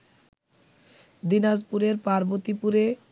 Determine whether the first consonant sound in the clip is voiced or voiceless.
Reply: voiced